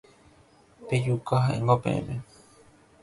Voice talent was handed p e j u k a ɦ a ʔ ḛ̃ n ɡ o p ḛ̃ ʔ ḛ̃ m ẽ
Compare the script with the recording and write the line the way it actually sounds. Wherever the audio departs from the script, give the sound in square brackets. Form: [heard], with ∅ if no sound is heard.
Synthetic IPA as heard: p e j u k a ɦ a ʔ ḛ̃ [ŋ] ɡ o p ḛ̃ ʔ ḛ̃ m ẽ